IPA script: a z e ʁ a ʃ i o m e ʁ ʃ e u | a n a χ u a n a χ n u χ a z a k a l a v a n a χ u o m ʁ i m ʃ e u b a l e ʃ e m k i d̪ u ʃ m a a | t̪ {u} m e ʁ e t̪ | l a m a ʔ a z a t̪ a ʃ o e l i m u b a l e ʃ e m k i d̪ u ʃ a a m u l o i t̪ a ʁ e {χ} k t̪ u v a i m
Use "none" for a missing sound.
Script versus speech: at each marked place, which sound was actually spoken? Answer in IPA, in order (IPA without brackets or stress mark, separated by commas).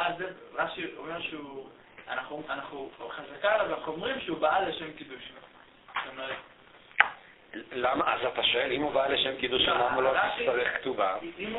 o, χ